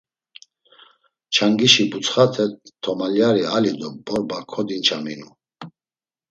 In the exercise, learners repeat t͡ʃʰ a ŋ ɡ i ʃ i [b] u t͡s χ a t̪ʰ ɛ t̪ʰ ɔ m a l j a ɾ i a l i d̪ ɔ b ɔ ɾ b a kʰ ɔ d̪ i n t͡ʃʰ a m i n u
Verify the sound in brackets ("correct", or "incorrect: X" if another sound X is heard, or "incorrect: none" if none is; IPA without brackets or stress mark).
correct